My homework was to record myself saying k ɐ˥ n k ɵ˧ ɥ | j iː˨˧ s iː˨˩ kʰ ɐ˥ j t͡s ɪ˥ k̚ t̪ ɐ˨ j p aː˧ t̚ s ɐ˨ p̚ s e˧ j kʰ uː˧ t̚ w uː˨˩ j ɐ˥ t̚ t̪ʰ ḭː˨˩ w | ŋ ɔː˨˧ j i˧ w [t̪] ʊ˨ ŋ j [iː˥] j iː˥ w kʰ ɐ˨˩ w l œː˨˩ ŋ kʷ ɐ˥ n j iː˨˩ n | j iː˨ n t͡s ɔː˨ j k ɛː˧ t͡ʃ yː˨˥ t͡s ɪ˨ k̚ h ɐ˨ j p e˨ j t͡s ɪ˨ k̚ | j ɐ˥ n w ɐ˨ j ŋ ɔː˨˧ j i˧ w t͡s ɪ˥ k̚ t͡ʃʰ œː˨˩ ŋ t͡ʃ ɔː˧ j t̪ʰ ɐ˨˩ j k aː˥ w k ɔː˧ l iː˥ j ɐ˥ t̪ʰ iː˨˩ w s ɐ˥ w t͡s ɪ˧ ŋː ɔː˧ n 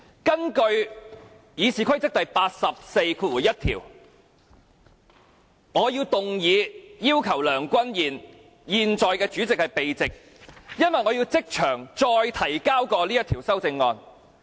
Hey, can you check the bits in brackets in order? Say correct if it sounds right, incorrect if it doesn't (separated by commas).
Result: correct, incorrect